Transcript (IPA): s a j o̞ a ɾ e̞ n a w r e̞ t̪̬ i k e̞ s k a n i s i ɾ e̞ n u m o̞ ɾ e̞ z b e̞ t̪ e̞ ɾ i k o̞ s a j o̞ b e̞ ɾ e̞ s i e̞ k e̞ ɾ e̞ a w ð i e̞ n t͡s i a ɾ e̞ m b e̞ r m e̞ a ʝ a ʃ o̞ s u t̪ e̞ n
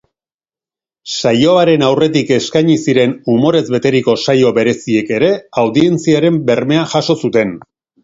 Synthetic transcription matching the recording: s a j o̞ a ɾ e̞ n a w r e̞ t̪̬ i k e̞ s k a ɲ i s i ɾ e̞ n u m o̞ ɾ e̞ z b e̞ t̪ e̞ ɾ i k o̞ s a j o̞ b e̞ ɾ e̞ s i e̞ k e̞ ɾ e̞ a w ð i e̞ n t͡s i a ɾ e̞ m b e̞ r m e̞ a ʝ a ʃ o̞ s u t̪ e̞ n

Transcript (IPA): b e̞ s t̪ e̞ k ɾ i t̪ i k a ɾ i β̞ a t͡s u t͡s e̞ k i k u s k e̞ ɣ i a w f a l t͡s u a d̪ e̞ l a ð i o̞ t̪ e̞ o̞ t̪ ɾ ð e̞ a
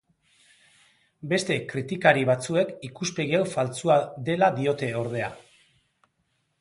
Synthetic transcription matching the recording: b e̞ s t̪ e̞ k ɾ i t̪ i k a ɾ i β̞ a t͡s u e̞ k i k u s p e̞ ɣ i a w f a l t͡s u a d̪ e̞ l a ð i o̞ t̪ e̞ o̞ ɾ ð e̞ a

